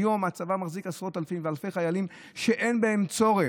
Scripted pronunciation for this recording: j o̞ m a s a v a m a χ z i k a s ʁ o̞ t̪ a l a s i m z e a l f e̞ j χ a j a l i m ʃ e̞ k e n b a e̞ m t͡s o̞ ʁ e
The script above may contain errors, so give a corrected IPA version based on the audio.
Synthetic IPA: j o̞ m a t͡s a v a m a χ z i k a s ʁ o̞ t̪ a l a f i m v e a l f e̞ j χ a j a l i m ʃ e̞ ʔ e n b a e̞ m t͡s o̞ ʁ e